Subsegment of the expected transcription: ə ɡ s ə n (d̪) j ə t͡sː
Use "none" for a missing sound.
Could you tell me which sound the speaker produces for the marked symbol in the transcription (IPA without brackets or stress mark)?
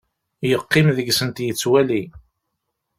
t̪